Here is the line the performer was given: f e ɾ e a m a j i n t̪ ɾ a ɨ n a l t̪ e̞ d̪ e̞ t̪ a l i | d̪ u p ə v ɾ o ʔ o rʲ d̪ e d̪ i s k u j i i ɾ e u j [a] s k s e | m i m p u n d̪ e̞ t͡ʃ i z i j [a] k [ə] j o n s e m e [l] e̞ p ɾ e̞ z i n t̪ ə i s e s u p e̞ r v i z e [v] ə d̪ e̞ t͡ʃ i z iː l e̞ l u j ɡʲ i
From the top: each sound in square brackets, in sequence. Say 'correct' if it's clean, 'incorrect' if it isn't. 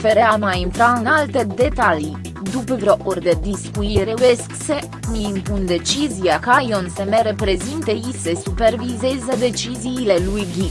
incorrect: e, correct, incorrect: a, incorrect: ɾ, incorrect: z

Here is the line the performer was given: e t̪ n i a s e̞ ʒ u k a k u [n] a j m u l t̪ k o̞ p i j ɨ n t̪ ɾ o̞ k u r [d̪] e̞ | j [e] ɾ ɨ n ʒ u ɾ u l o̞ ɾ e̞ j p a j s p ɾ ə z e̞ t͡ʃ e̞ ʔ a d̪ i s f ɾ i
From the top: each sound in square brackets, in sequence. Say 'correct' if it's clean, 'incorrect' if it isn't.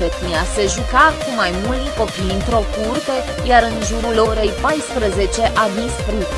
incorrect: m, incorrect: t̪, incorrect: a

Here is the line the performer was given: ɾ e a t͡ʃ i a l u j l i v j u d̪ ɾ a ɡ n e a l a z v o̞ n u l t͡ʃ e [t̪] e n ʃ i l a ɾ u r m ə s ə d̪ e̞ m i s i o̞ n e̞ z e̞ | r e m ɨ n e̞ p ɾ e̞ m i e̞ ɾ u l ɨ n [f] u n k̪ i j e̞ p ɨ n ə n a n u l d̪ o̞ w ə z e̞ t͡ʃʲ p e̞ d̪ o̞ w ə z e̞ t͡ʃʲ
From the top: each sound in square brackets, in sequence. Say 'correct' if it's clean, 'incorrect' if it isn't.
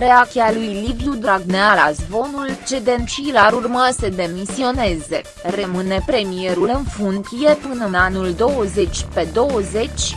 incorrect: d̪, correct

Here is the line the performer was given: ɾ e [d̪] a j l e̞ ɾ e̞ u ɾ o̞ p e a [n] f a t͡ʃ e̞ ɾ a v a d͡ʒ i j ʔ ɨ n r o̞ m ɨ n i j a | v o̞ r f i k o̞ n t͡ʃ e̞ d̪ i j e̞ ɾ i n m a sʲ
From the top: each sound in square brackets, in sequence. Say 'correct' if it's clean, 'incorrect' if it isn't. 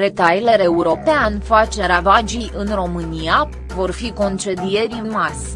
incorrect: t̪, correct

